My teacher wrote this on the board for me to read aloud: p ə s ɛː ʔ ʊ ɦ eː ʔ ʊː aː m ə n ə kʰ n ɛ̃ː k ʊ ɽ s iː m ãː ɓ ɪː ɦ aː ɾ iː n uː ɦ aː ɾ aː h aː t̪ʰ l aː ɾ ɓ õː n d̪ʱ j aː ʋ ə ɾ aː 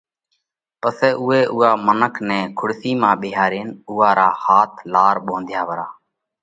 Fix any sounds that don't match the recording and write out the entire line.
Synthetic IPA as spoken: p ə s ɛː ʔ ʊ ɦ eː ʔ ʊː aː m ə n ə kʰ n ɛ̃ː kʰ ʊ ɽ s iː m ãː ɓ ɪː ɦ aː ɾ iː n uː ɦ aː ɾ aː h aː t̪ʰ l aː ɾ ɓ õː n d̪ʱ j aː ʋ ə ɾ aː